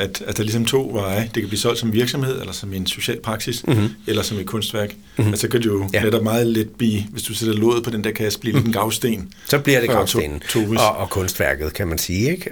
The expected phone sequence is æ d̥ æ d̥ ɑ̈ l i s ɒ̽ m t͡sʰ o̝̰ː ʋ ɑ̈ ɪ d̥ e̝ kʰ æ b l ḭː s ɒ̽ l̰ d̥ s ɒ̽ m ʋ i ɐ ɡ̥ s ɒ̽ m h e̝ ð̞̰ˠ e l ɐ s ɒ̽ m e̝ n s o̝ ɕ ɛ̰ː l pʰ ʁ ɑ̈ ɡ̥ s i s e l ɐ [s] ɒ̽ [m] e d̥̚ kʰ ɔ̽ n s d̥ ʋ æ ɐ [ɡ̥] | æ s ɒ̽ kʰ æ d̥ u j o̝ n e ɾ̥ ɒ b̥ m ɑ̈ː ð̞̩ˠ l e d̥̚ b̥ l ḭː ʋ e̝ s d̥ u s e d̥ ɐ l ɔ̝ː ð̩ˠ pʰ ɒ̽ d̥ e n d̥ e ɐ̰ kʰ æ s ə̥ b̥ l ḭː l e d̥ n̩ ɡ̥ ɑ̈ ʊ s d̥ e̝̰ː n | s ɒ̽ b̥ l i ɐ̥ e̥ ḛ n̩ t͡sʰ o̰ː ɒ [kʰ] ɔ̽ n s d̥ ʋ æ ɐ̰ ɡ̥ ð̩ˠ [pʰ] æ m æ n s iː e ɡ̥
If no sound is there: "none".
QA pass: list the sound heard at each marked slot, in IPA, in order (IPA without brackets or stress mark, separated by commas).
s, m, ɡ̥, kʰ, kʰ